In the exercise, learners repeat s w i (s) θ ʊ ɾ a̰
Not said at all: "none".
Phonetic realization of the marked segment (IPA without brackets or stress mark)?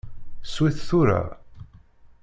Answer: θ